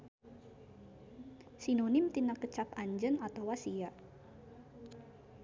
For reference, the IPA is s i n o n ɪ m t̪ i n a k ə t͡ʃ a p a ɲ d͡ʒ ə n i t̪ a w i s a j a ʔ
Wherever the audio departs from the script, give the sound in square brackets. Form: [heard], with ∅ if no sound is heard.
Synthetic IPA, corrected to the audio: s i n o n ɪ m t̪ i n a k ə t͡ʃ a p a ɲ d͡ʒ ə n [a] t̪ a w [a] s [i] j a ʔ